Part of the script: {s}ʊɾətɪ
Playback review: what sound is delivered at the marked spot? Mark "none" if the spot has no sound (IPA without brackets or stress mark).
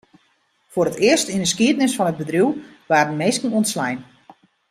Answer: f